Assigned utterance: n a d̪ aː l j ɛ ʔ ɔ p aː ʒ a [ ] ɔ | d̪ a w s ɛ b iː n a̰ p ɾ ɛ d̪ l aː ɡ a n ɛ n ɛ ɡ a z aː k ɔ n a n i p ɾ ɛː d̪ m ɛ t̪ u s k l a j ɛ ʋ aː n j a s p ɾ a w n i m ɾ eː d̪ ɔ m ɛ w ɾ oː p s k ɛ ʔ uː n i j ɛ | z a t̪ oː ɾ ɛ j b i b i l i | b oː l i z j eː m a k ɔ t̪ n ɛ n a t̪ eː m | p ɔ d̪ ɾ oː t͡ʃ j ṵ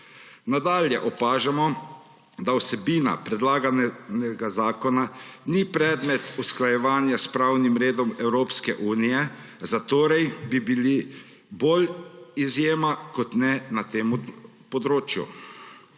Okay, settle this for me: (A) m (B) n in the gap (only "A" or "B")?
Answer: A